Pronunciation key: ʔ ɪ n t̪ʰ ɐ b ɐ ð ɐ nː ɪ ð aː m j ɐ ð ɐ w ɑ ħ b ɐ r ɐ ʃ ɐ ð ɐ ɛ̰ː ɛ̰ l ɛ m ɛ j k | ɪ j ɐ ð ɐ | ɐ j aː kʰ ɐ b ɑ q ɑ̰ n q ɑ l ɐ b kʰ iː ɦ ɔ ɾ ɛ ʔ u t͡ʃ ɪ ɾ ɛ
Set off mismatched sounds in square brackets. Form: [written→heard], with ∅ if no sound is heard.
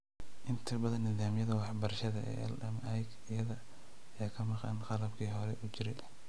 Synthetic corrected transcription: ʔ ɪ n t̪ʰ ɐ b ɐ ð ɐ nː ɪ ð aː m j ɐ ð ɐ w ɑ ħ b ɐ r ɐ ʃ ɐ ð ɐ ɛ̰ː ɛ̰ l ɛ m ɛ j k | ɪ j ɐ ð ɐ | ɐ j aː kʰ ɐ [b→m] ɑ q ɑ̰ n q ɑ l ɐ b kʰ iː ɦ ɔ ɾ ɛ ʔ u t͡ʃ ɪ ɾ ɛ